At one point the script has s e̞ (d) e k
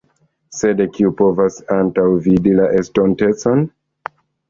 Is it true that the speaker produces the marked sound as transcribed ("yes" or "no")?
yes